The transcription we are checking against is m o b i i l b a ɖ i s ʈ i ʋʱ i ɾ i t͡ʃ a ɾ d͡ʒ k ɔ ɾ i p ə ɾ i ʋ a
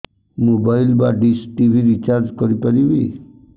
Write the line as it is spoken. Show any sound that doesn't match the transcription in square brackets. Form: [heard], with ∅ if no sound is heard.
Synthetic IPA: m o b [a] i l b a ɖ i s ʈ i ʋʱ i ɾ i t͡ʃ a ɾ d͡ʒ k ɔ ɾ i p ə ɾ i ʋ [i]